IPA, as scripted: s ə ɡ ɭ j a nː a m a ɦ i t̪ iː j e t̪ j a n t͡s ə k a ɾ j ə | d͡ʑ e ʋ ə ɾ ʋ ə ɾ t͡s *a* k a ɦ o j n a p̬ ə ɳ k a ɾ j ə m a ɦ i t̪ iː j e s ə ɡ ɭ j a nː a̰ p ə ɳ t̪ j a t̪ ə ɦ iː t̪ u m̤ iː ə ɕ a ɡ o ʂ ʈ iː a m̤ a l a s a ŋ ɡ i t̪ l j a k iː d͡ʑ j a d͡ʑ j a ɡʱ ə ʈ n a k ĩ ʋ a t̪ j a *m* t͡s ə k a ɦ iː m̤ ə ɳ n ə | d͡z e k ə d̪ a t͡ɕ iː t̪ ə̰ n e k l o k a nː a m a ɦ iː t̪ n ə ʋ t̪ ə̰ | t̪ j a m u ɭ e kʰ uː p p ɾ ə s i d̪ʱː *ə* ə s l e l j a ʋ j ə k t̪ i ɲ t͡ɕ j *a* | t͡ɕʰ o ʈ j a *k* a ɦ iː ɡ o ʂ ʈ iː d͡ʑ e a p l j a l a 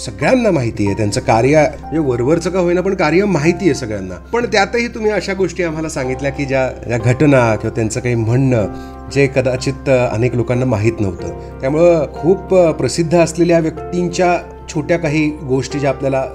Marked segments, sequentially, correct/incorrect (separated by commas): incorrect, incorrect, correct, correct, correct